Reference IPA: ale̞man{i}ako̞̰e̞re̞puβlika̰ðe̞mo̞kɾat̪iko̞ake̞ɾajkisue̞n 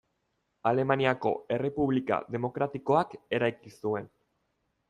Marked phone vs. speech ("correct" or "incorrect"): correct